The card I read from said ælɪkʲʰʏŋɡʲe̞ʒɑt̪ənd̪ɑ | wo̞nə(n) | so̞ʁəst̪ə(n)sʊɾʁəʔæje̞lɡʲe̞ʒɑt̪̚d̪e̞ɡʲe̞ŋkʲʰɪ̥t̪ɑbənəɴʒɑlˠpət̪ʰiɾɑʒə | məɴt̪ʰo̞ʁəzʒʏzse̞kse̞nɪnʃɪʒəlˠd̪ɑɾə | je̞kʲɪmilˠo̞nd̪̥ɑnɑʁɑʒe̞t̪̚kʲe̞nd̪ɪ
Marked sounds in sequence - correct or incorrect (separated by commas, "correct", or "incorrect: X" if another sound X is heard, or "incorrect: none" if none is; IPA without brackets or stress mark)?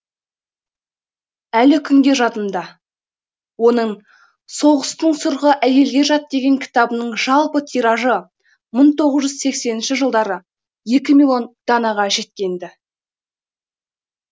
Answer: incorrect: ɴ, incorrect: ɴ